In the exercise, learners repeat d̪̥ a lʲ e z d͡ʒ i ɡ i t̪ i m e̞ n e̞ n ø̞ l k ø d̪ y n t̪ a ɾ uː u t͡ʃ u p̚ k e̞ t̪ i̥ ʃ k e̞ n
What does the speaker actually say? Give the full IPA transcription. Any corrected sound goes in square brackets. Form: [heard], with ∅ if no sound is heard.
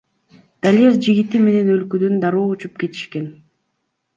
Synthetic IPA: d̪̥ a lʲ e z d͡ʒ i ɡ i t̪ i m e̞ n e̞ n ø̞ l k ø d̪ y n [d̪] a ɾ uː u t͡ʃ u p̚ k e̞ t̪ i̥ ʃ k e̞ n